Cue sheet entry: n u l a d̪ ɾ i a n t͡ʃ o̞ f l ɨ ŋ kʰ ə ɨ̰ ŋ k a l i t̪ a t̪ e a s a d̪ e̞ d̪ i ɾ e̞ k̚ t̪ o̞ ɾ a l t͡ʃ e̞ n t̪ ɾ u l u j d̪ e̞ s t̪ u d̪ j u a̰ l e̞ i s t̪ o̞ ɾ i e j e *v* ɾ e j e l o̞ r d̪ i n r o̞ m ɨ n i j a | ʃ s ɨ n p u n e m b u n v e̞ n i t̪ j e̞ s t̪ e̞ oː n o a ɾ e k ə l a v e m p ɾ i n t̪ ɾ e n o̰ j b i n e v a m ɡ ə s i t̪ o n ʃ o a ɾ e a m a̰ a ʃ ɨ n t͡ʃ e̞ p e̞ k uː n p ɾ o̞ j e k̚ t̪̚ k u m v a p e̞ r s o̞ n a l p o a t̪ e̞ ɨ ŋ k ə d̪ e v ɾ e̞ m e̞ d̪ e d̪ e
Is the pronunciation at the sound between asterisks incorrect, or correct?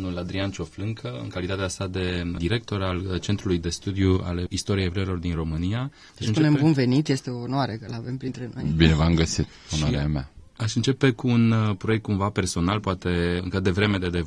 correct